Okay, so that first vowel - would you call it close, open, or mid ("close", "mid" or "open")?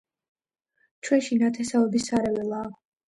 mid